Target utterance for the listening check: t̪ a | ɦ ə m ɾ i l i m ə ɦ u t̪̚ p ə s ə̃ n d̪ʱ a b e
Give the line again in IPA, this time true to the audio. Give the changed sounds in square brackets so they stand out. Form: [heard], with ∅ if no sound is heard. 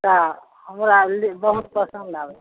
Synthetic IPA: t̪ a | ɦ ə m ɾ [a] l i [b] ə ɦ u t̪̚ p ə s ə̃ n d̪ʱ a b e